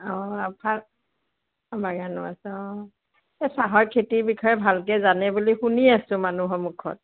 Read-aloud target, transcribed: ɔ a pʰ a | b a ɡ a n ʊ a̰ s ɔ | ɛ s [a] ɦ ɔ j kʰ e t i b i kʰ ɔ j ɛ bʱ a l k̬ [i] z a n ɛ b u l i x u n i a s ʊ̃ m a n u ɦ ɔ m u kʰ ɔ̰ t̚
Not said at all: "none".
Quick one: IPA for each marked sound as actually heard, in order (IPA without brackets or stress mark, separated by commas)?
a, ɛ